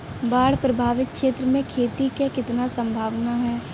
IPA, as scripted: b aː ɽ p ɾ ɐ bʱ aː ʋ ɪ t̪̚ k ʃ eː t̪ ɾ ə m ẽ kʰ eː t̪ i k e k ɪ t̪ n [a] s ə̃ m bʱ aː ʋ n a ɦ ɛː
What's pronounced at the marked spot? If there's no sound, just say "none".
a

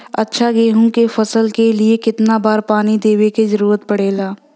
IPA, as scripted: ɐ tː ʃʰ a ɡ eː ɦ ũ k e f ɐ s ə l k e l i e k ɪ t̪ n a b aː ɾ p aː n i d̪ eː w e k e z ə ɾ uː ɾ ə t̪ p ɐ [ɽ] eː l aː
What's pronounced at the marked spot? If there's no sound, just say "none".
ɽ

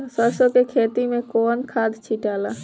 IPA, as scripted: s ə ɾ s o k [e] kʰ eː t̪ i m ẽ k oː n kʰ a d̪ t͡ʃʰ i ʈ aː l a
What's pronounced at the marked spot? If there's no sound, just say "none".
e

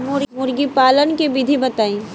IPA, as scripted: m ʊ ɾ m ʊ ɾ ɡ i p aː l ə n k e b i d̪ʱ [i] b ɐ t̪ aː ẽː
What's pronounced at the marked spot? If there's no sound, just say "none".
i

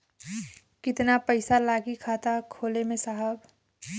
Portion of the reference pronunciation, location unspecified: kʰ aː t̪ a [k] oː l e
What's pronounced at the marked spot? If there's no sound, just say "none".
kʰ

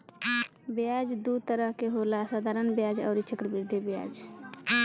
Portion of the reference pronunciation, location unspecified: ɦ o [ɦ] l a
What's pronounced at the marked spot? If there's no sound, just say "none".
none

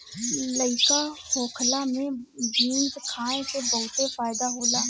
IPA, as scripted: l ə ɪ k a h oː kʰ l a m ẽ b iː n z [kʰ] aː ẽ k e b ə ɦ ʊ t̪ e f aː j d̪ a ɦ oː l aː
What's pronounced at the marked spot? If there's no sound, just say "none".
kʰ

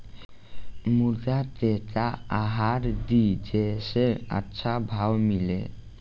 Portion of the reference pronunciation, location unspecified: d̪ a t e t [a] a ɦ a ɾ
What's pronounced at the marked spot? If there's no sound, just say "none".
a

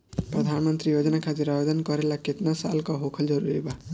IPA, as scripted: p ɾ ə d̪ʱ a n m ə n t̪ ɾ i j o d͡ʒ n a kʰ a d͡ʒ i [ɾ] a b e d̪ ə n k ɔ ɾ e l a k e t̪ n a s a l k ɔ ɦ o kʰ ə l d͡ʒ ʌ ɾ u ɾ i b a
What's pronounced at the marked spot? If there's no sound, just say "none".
ɾ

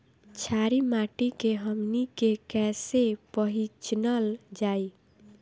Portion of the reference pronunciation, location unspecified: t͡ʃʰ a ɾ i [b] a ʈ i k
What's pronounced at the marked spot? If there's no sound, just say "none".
m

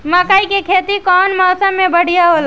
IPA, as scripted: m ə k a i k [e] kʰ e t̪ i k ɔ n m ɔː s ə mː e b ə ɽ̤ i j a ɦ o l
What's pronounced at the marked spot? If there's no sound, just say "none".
e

